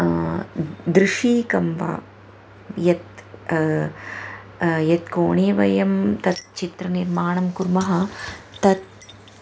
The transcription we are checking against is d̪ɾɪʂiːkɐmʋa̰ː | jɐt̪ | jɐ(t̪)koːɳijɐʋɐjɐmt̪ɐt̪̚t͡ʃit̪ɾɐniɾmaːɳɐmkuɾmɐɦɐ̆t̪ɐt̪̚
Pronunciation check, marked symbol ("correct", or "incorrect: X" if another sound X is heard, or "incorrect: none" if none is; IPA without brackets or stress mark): correct